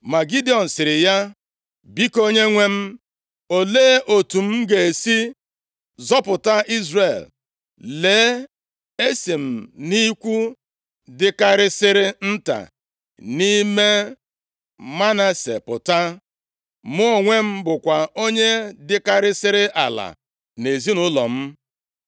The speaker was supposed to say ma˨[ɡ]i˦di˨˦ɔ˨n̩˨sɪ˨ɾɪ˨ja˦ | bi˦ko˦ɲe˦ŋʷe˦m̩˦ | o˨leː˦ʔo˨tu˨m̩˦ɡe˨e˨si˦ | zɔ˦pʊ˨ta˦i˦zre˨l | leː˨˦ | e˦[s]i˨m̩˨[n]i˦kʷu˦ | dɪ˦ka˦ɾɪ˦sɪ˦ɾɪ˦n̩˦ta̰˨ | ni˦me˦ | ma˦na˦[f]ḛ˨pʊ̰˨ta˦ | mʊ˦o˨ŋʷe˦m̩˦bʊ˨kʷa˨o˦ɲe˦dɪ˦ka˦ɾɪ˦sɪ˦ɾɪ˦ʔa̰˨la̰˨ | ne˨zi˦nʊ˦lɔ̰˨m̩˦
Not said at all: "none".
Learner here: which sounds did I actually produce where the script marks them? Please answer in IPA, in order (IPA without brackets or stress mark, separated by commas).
ɡ, s, n, s